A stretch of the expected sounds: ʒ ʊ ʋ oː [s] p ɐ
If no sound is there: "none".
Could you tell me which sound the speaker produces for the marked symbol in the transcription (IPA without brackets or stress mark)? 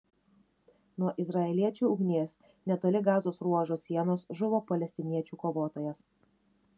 none